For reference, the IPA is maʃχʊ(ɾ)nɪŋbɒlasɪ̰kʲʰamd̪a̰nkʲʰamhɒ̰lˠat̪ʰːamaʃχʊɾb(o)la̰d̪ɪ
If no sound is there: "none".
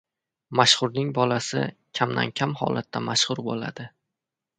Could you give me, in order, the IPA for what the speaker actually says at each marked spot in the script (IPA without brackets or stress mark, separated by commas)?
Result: ɾ, o